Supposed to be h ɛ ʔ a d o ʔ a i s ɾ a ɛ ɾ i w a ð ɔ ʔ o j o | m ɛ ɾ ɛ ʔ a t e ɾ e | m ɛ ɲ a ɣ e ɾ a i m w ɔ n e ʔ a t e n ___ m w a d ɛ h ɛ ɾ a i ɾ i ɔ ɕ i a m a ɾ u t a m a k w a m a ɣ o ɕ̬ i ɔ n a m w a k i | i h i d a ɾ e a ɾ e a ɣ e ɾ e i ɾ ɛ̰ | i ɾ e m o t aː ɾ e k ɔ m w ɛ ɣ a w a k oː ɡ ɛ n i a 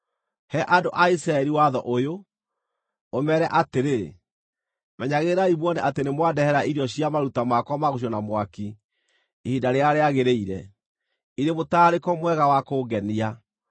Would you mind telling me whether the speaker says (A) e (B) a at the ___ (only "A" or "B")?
A